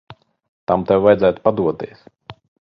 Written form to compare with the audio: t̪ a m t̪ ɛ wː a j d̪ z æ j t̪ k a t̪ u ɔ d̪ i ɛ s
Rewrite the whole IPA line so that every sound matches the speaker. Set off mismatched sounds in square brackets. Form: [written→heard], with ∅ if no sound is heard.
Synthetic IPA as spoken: t̪ a m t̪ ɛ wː a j d̪ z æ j t̪ [k→p] a [t̪→d̪] u ɔ [d̪→t̪] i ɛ s